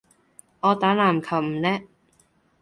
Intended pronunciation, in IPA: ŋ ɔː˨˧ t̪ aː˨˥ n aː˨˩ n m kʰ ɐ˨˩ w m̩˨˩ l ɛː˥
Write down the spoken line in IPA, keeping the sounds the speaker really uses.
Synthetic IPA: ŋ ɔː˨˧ t̪ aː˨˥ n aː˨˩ m kʰ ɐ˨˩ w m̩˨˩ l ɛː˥